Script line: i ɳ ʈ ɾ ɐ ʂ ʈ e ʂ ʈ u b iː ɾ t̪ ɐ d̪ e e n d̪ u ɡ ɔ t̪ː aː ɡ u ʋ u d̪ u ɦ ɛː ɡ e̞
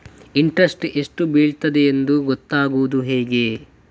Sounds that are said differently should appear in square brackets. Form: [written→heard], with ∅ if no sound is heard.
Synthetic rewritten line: i ɳ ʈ ɾ ɐ [ʂ→s] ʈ e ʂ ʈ u b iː [ɾ→ɭ] t̪ ɐ d̪ e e n d̪ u ɡ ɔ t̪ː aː ɡ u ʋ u d̪ u ɦ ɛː ɡ e̞

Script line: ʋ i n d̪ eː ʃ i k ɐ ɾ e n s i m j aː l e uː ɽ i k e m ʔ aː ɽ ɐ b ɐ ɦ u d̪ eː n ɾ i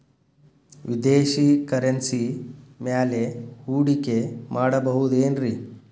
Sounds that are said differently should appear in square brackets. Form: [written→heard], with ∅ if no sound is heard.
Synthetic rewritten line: ʋ i [n→∅] d̪ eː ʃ i k ɐ ɾ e n s i m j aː l e uː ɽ i k e m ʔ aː ɽ ɐ b ɐ ɦ u d̪ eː n ɾ i

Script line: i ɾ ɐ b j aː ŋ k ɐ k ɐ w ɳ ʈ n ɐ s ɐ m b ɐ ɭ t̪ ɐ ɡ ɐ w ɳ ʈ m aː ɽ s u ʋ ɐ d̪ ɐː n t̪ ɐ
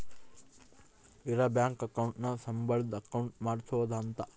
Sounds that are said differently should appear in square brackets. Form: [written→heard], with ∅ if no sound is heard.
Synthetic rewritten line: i ɾ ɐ b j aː ŋ k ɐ k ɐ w ɳ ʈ n ɐ s ɐ m b ɐ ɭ [t̪→d̪] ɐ [ɡ→k] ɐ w ɳ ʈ m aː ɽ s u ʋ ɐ d̪ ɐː n t̪ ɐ

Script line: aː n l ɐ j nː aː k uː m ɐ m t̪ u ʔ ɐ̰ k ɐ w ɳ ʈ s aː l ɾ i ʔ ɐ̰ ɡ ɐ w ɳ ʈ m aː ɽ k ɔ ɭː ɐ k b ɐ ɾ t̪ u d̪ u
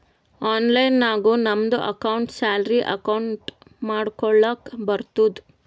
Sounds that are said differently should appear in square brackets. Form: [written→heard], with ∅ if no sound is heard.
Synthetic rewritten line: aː n l ɐ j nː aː [k→ɡ] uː [m→n] ɐ m [t̪→d̪] u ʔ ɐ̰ k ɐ w ɳ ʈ s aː l ɾ i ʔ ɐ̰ [ɡ→k] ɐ w ɳ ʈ m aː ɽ k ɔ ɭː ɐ k b ɐ ɾ t̪ u d̪ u

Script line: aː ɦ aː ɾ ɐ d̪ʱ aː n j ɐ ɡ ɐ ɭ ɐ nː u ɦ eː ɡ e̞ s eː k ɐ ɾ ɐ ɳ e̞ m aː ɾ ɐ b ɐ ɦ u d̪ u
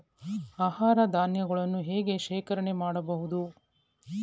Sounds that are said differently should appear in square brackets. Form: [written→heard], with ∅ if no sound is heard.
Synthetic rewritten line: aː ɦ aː ɾ ɐ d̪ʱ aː n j ɐ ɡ ɐ ɭ ɐ nː u ɦ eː ɡ e̞ [s→ʃ] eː k ɐ ɾ ɐ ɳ e̞ m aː [ɾ→ɽ] ɐ b ɐ ɦ u d̪ u

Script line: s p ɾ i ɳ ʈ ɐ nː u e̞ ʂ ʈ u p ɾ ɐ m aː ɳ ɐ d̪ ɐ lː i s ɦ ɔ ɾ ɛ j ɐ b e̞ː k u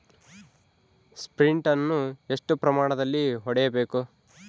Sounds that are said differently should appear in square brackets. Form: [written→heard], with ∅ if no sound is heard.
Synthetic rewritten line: s p ɾ i ɳ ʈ ɐ nː u e̞ ʂ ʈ u p ɾ ɐ m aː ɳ ɐ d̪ ɐ lː i [s→∅] ɦ ɔ [ɾ→ɽ] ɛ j ɐ b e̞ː k u

